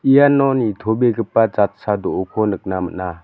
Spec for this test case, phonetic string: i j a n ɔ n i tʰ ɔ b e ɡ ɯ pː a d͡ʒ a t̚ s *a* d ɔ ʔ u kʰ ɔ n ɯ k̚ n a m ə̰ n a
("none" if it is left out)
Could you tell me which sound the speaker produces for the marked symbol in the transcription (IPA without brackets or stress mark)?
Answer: a